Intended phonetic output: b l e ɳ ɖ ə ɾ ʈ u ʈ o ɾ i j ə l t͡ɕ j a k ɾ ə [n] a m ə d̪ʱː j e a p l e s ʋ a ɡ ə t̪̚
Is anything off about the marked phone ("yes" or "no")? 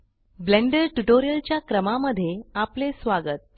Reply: yes